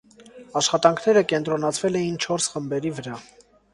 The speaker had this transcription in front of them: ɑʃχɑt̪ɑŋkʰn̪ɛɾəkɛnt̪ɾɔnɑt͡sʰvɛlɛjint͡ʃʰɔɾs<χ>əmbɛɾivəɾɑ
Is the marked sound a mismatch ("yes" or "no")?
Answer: no